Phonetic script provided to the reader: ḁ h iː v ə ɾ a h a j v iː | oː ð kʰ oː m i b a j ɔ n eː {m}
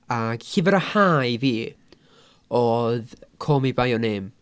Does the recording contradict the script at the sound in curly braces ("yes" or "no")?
no